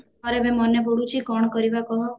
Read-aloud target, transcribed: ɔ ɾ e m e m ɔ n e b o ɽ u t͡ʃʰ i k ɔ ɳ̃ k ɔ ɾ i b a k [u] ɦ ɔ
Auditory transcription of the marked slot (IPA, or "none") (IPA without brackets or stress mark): ɔ